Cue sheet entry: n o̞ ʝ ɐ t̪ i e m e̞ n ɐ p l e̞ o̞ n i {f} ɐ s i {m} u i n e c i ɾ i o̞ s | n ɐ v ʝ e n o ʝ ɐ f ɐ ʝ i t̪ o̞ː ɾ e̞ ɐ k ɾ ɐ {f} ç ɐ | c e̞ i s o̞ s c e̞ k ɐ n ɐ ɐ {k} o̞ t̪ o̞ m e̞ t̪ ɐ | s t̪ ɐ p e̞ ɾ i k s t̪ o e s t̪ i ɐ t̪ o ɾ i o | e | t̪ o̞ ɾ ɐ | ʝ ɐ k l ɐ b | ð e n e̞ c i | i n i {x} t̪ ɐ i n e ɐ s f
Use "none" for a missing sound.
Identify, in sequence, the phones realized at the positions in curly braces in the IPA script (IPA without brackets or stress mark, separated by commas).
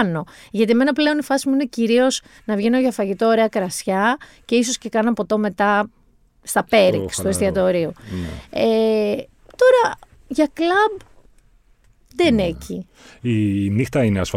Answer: f, m, s, p, x